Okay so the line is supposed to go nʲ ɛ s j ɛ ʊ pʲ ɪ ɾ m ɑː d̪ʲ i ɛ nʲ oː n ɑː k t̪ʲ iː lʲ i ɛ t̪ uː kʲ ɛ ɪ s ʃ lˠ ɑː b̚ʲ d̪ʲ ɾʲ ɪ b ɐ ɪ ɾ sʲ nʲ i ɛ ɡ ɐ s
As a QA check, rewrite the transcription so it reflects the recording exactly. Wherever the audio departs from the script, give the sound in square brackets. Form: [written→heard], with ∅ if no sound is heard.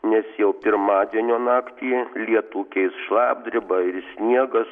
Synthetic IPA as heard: nʲ ɛ s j ɛ ʊ pʲ ɪ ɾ m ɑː d̪ʲ i ɛ nʲ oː n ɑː k t̪ʲ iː lʲ i ɛ t̪ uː kʲ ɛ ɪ s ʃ lˠ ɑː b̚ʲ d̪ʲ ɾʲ ɪ b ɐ ɪ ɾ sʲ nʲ i ɛ ɡ ɐ s

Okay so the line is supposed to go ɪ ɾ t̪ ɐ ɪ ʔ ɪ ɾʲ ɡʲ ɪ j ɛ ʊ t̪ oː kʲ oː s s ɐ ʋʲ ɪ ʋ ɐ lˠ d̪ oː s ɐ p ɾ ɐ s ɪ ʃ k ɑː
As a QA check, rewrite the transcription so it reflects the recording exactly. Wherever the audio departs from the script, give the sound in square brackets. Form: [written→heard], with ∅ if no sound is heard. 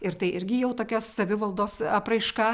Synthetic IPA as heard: ɪ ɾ t̪ ɐ ɪ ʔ ɪ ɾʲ ɡʲ ɪ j ɛ ʊ t̪ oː kʲ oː s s ɐ ʋʲ ɪ ʋ ɐ lˠ d̪ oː s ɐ p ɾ ɐ [s→∅] ɪ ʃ k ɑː

